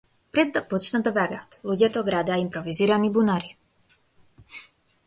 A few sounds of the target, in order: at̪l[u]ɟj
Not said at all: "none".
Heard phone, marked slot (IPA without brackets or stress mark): u